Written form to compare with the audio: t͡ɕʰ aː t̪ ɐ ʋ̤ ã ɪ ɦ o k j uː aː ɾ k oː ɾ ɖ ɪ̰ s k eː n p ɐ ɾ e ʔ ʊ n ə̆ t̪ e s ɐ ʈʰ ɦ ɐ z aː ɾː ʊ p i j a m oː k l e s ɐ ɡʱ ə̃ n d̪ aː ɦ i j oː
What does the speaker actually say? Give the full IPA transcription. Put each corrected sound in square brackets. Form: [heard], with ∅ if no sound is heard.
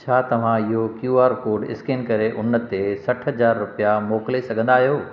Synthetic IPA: t͡ɕʰ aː t̪ ɐ ʋ̤ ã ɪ ɦ o k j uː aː ɾ k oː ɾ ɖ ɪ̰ s k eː n [k] ɐ ɾ e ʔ ʊ n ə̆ t̪ e s ɐ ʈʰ ɦ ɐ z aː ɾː ʊ p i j a m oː k l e s ɐ ɡʱ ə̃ n d̪ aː ɦ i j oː

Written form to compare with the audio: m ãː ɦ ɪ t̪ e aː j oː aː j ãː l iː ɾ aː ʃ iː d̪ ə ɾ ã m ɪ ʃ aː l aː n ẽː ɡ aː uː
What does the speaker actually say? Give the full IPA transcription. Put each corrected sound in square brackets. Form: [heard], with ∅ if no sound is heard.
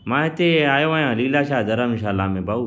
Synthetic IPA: m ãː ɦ ɪ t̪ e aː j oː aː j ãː l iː [l] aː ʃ [aː] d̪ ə ɾ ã m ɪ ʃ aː l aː [m] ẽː [b] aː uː

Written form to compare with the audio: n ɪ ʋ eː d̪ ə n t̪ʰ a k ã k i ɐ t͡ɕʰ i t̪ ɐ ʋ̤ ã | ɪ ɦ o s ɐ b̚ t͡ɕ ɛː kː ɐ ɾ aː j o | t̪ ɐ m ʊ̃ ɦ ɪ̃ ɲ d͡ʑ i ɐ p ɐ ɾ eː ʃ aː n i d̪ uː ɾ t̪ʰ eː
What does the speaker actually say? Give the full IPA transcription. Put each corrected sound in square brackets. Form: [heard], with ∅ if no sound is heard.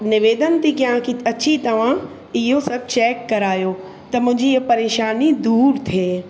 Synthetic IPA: n ɪ ʋ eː d̪ ə n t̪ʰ [i] k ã k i ɐ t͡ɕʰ i t̪ ɐ ʋ̤ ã | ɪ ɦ o s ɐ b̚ t͡ɕ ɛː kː ɐ ɾ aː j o | t̪ ɐ m ʊ̃ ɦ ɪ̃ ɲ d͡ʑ i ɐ p ɐ ɾ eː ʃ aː n i d̪ uː ɾ t̪ʰ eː

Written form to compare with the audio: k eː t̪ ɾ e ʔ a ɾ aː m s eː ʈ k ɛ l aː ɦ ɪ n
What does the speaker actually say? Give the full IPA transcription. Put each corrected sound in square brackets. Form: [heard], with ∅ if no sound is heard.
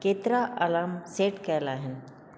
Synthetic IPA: k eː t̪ ɾ [a] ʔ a [l] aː m s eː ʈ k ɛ l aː ɦ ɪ n

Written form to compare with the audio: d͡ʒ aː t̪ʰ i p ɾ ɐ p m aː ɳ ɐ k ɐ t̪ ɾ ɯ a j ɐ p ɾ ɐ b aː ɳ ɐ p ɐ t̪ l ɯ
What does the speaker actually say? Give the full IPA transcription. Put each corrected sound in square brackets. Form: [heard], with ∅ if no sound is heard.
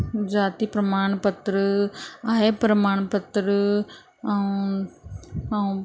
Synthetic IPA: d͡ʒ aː [t̪] i p ɾ ɐ [∅] m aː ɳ ɐ [p] ɐ t̪ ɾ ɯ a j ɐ p ɾ ɐ [m] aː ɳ ɐ p ɐ t̪ [ɾ] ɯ

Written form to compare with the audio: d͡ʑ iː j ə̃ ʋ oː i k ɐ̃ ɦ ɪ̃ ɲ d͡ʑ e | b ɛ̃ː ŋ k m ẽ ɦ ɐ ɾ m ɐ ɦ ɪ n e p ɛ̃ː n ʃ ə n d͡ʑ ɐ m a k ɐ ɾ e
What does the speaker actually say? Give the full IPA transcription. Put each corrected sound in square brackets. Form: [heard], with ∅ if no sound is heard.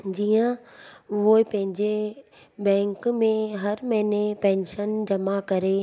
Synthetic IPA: d͡ʑ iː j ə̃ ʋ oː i [p] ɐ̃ ɦ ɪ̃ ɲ d͡ʑ e | b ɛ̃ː ŋ k m ẽ ɦ ɐ ɾ m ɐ ɦ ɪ n e p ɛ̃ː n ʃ ə n d͡ʑ ɐ m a k ɐ ɾ e

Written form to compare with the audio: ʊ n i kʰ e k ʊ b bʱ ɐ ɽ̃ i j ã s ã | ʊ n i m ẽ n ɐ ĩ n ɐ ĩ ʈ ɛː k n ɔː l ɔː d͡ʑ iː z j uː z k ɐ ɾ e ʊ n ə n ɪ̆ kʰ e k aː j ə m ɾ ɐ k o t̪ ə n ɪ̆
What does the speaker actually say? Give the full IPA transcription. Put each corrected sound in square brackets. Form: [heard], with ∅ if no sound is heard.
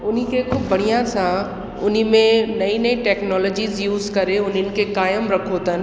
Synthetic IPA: ʊ n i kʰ e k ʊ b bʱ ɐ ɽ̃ i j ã s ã | ʊ n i m ẽ n ɐ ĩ n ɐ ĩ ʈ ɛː k n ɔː l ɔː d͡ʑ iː z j uː z k ɐ ɾ e ʊ n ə n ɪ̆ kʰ e k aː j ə m ɾ ɐ [kʰ] o t̪ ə n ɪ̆

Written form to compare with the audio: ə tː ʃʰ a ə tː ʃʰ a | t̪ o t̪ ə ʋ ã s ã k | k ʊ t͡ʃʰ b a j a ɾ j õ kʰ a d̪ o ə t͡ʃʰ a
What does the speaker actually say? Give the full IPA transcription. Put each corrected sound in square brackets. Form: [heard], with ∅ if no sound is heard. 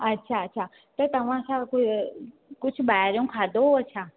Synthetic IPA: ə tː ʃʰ a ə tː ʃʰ a | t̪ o t̪ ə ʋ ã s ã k | k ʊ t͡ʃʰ b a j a ɾ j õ kʰ a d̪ o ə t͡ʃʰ a

